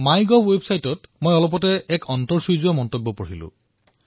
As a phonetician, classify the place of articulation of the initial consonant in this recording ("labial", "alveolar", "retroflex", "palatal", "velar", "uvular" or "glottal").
labial